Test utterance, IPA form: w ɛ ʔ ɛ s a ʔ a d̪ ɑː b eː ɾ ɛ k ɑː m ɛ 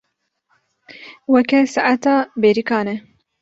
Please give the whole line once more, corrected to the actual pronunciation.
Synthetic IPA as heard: w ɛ k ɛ s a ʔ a t̪ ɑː b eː ɾ i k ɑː n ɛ